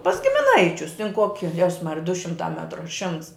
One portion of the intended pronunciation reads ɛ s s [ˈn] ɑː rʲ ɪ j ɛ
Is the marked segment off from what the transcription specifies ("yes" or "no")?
yes